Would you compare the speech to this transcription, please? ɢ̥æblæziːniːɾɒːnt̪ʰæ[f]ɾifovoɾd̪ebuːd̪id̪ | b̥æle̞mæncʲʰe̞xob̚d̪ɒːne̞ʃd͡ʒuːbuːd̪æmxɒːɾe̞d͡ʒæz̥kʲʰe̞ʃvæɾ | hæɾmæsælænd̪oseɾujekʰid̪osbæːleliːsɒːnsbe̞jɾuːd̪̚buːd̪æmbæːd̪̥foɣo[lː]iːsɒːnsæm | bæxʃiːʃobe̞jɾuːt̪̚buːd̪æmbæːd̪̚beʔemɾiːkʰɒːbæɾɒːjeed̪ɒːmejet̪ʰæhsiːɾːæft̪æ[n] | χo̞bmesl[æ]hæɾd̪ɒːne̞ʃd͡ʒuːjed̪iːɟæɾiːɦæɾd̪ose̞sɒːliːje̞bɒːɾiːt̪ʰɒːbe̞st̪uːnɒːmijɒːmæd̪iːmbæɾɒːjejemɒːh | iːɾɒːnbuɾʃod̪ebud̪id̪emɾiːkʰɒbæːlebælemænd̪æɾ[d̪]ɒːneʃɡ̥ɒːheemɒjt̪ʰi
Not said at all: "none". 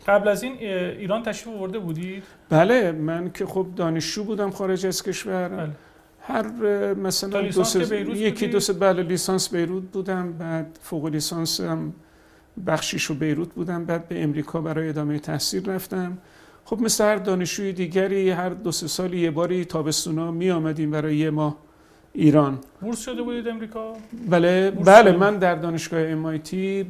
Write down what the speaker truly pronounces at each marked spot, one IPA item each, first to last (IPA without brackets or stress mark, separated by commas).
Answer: ʃ, l, m, e, d̪